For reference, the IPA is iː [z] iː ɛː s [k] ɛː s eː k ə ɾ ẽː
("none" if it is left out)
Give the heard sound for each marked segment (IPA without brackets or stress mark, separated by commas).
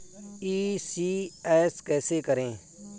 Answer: s, k